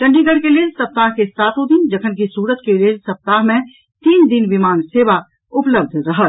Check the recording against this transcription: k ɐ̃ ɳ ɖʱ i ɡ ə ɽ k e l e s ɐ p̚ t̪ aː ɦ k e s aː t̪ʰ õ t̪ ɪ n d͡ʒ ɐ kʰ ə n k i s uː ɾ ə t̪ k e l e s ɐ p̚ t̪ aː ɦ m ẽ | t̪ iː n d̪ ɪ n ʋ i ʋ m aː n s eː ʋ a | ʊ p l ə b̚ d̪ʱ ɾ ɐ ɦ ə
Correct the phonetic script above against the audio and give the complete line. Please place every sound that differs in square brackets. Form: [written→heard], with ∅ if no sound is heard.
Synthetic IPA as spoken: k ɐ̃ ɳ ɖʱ i ɡ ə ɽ k e l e s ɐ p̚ t̪ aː ɦ k e s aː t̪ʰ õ [t̪→d̪] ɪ n d͡ʒ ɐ kʰ ə n k i s uː ɾ ə t̪ k e l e s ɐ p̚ t̪ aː ɦ m ẽ | t̪ iː n d̪ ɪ n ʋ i [ʋ→∅] m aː n s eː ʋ a | ʊ p l ə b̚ d̪ʱ ɾ ɐ ɦ ə